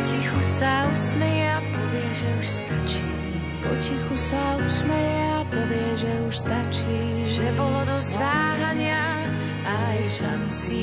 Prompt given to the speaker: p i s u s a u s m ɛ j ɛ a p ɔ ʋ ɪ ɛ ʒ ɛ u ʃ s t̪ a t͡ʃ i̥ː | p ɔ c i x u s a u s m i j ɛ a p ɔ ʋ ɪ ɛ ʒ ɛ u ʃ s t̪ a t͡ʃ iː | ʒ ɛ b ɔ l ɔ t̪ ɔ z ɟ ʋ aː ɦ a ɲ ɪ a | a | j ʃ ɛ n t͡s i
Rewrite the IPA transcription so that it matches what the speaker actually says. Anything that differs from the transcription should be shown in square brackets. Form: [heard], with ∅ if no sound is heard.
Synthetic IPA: [c] i [x] u s a u s m ɛ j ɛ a p ɔ ʋ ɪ ɛ ʒ ɛ u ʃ s t̪ a t͡ʃ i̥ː | p ɔ c i x u s a u s m [ɛ] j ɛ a p ɔ ʋ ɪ ɛ ʒ ɛ u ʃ s t̪ a t͡ʃ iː | ʒ ɛ b ɔ l ɔ [d̪] ɔ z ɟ ʋ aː ɦ a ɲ ɪ a | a | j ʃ [a] n t͡s i